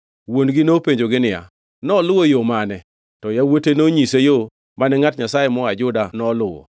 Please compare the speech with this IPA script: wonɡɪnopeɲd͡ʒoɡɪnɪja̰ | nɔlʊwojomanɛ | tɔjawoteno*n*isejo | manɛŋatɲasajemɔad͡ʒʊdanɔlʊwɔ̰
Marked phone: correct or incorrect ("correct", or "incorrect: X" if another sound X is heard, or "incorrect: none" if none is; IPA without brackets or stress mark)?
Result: incorrect: ɲ